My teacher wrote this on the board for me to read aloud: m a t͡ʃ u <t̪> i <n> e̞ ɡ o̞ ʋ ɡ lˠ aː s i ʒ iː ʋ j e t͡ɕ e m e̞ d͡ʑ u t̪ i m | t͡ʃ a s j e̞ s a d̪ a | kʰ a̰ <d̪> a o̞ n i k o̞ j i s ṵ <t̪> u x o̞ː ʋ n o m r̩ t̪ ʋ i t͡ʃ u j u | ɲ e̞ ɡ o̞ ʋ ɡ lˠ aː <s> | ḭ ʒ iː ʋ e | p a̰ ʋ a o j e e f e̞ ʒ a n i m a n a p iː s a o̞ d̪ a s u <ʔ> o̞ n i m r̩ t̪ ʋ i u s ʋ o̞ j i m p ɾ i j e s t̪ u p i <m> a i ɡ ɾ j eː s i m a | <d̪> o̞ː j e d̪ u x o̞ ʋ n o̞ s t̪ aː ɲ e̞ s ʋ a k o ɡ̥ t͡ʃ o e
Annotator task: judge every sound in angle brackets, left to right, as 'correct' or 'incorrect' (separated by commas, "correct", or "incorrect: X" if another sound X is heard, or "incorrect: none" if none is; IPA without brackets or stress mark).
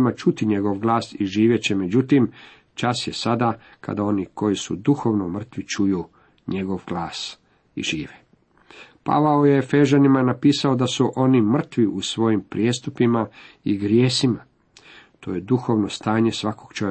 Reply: correct, incorrect: ɲ, correct, incorrect: d̪, correct, correct, correct, incorrect: t̪